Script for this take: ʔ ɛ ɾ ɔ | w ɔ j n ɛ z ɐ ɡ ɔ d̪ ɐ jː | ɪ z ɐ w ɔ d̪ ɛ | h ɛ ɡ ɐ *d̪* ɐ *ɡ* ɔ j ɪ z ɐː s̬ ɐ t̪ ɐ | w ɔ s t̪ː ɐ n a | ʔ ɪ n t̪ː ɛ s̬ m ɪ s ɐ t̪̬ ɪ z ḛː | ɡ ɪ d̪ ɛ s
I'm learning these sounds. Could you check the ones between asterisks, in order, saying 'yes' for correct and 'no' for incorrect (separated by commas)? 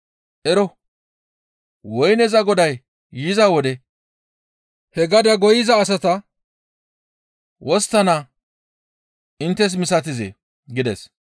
yes, yes